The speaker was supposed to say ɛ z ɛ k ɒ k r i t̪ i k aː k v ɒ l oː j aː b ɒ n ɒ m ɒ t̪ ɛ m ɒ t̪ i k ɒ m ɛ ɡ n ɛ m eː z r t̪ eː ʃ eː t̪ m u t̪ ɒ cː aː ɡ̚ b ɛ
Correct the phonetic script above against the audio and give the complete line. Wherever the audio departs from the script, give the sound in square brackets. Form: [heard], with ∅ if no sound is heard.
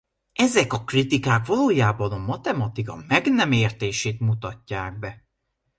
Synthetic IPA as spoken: ɛ z ɛ k ɒ k r i t̪ i k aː k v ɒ l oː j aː b ɒ n ɒ m ɒ t̪ ɛ m ɒ t̪ i k ɒ m ɛ ɡ n ɛ m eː [∅] r t̪ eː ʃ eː t̪ m u t̪ ɒ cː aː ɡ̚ b ɛ

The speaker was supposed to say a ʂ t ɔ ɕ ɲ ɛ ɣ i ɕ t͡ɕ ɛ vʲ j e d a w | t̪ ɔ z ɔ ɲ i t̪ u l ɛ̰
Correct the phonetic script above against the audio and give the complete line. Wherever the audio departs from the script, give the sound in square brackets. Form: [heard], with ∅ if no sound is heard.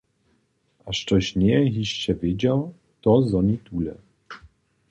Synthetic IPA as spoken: a ʂ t ɔ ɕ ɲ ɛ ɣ i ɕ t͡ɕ ɛ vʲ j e [d͡ʑ] a w | t̪ ɔ z ɔ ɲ i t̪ u l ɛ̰

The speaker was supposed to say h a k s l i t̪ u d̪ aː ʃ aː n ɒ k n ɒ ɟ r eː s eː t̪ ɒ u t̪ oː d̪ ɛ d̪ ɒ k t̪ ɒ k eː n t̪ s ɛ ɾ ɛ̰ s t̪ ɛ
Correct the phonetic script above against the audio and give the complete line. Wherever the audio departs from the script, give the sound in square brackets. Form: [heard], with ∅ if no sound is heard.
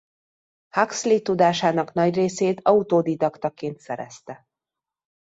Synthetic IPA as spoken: h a k s l i t̪ u d̪ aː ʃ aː n ɒ k n ɒ ɟ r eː s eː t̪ ɒ u t̪ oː d̪ [i] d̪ ɒ k t̪ ɒ k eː n t̪ s ɛ ɾ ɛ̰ s t̪ ɛ

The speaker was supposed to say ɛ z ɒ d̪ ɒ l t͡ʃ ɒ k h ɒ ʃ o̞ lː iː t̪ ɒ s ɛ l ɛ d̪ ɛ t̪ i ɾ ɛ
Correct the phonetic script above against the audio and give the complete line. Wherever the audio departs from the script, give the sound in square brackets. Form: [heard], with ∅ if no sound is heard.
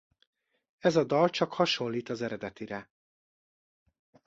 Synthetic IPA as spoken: ɛ z ɒ d̪ ɒ l t͡ʃ ɒ k h ɒ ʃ o̞ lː iː t̪ ɒ [z] ɛ [ɾ] ɛ d̪ ɛ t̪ i ɾ ɛ

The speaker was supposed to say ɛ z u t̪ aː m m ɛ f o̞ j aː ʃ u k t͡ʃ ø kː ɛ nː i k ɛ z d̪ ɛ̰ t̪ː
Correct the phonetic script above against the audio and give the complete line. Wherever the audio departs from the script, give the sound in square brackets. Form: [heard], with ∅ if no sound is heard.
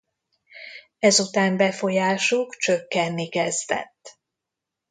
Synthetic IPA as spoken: ɛ z u t̪ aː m [b] ɛ f o̞ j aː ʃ u k t͡ʃ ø kː ɛ nː i k ɛ z d̪ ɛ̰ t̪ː

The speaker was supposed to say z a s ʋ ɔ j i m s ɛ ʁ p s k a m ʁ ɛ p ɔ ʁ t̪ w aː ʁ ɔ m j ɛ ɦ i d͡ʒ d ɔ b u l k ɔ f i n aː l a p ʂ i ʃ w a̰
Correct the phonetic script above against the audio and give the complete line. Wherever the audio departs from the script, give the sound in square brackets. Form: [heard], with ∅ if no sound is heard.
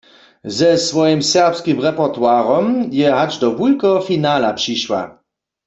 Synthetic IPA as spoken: z [ɛ] s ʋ ɔ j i m s ɛ ʁ p s k [i] m ʁ ɛ p ɔ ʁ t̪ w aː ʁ ɔ m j ɛ ɦ [a] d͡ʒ d ɔ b u l k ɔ f i n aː l a p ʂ i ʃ w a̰

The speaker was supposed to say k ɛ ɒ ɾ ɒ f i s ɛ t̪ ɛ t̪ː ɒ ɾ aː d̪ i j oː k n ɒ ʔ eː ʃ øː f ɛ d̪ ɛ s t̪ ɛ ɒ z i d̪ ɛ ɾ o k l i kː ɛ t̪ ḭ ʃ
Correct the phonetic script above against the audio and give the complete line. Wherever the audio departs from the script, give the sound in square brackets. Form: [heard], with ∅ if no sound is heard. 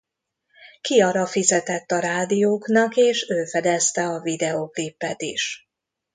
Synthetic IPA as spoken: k [i] ɒ ɾ ɒ f i [z] ɛ t̪ ɛ t̪ː ɒ ɾ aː d̪ i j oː k n ɒ [k] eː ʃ øː f ɛ d̪ ɛ s t̪ ɛ ɒ [v] i d̪ ɛ [∅] o k l i [pː] ɛ t̪ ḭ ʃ

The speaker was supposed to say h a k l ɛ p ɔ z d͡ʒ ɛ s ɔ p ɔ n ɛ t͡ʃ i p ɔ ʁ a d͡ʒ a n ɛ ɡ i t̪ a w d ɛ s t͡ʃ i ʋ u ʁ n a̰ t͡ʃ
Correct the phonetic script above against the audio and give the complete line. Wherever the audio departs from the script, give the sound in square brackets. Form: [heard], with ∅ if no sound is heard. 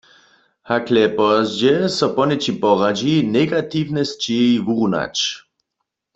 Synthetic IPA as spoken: h a k l ɛ p ɔ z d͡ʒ ɛ s ɔ p ɔ n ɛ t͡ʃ i p ɔ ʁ a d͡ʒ [i] n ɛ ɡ [a] t̪ [i] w [n] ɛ s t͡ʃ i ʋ u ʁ n a̰ t͡ʃ

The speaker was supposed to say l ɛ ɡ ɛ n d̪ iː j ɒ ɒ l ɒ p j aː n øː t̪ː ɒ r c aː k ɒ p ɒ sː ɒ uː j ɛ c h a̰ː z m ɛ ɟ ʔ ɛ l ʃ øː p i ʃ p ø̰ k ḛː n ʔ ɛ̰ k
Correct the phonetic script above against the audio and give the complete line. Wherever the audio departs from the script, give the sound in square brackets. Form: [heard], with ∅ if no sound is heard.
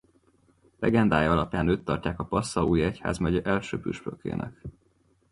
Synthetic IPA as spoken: l ɛ ɡ ɛ n d̪ [aː] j ɒ ɒ l ɒ p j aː n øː t̪ː ɒ r c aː k ɒ p ɒ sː ɒ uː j ɛ c h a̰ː z m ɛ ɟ ʔ ɛ l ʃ øː p [y] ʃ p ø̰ k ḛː n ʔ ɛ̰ k

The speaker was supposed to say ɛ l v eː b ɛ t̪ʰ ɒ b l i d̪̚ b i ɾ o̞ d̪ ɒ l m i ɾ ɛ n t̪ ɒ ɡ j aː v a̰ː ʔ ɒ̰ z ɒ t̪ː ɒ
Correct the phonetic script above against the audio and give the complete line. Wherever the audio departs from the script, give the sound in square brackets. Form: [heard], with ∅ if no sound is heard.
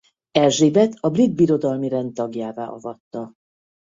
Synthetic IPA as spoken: ɛ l [ʒ] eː b ɛ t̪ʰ ɒ b [r] i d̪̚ b i ɾ o̞ d̪ ɒ l m i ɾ ɛ n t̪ ɒ ɡ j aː v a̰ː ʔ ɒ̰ [v] ɒ t̪ː ɒ

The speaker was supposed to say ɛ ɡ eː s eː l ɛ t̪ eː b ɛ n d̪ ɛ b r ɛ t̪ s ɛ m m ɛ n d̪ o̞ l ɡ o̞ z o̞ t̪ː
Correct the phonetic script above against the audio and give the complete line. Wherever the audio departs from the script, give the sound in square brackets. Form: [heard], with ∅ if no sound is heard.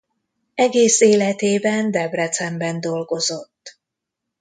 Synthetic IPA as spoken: ɛ ɡ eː s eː l ɛ t̪ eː b ɛ n d̪ ɛ b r ɛ t̪ s ɛ m [b] ɛ n d̪ o̞ l ɡ o̞ z o̞ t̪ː

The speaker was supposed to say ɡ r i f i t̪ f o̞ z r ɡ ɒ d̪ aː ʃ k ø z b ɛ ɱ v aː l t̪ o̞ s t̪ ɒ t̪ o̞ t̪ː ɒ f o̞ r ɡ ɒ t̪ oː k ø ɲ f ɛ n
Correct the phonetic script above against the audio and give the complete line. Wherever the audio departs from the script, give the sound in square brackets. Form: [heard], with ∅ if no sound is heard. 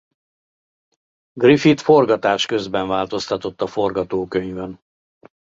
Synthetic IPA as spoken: ɡ r i f i t̪ f o̞ [∅] r ɡ ɒ [t̪] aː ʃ k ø z b ɛ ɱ v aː l t̪ o̞ s t̪ ɒ t̪ o̞ t̪ː ɒ f o̞ r ɡ ɒ t̪ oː k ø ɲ [v] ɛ n

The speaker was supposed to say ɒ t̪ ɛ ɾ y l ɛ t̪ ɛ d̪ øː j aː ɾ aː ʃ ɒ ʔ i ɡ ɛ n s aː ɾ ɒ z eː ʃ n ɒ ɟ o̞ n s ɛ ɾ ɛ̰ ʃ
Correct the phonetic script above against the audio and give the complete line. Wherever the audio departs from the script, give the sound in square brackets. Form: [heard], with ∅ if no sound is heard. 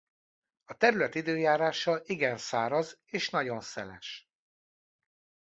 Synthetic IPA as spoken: ɒ t̪ ɛ ɾ y l ɛ t̪ [i] d̪ øː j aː ɾ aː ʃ ɒ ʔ i ɡ ɛ n s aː ɾ ɒ z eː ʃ n ɒ ɟ o̞ n s ɛ [l] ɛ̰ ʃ

